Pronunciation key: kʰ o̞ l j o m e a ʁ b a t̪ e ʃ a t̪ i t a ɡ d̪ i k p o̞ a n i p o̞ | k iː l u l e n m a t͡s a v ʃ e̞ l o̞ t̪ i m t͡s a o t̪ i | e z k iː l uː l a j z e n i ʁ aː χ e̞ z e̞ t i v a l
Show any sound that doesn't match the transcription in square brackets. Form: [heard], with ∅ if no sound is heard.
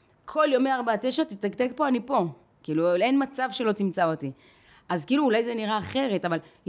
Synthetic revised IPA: kʰ o̞ l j o m e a ʁ b a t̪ e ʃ a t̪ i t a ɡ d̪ [e] k p o̞ a n i p o̞ | k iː l u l e n m a t͡s a v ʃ e̞ l o̞ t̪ i m t͡s a o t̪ i | [a] z k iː l uː l a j z e n i ʁ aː χ e̞ [ʁ] e̞ t [a] v a l